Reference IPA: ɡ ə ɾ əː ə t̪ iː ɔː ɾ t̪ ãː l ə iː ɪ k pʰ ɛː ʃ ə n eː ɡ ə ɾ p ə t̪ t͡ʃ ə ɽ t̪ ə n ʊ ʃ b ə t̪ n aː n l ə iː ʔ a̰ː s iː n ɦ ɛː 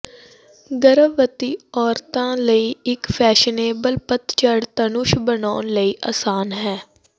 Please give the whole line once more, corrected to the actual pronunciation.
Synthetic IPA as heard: ɡ ə ɾ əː ə t̪ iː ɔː ɾ t̪ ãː l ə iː ɪ k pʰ ɛː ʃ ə n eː b ə l p ə t̪ t͡ʃ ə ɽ t̪ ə n ʊ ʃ b ə n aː n l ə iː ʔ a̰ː s aː n ɦ ɛː